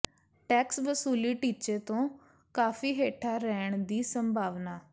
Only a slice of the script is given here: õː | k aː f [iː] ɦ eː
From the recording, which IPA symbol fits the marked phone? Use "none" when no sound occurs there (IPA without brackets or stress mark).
iː